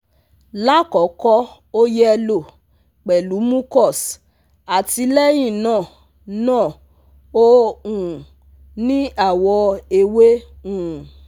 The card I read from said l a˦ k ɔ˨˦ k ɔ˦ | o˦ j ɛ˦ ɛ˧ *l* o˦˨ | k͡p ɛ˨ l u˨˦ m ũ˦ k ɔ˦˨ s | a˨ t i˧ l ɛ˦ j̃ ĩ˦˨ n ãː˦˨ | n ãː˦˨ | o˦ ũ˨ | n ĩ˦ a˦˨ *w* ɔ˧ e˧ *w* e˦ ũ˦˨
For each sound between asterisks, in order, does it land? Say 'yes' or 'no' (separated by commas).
yes, yes, yes